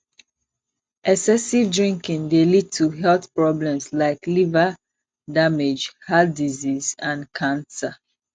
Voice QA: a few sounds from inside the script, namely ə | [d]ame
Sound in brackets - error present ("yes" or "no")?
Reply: no